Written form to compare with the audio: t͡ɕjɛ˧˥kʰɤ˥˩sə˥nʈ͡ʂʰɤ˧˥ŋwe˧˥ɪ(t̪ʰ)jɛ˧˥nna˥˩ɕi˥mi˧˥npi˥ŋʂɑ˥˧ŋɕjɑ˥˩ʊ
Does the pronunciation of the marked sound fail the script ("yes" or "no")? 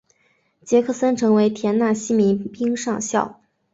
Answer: no